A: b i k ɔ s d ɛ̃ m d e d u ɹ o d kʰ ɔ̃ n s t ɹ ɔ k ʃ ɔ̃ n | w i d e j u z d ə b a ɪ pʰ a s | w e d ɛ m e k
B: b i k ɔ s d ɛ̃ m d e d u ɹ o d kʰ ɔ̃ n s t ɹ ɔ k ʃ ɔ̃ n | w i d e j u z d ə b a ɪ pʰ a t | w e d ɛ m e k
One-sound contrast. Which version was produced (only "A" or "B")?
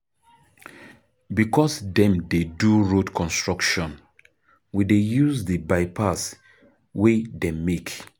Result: A